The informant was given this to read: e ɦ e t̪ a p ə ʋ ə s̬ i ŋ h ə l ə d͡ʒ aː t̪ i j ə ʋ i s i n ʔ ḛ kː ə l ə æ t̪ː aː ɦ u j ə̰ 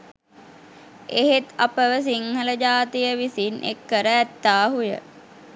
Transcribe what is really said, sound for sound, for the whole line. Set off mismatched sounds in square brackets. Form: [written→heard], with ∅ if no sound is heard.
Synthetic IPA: e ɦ e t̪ a p ə ʋ ə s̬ i ŋ h ə l ə d͡ʒ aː t̪ i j ə ʋ i s i n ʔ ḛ kː ə [l→ɾ] ə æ t̪ː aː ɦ u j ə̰